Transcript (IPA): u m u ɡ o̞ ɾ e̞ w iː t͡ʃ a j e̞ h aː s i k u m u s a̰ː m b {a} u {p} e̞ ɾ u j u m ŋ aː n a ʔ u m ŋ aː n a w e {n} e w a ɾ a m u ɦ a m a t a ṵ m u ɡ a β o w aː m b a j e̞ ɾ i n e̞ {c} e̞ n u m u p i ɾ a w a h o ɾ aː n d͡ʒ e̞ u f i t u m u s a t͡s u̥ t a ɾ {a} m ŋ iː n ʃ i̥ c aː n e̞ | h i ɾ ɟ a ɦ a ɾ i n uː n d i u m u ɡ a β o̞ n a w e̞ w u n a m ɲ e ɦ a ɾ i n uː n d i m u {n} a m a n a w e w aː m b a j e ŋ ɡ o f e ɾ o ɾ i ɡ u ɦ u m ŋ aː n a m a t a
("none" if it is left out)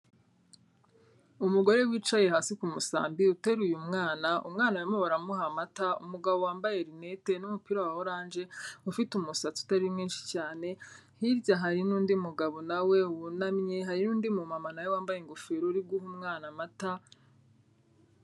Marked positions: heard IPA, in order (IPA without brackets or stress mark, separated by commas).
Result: i, t, m, t, i, m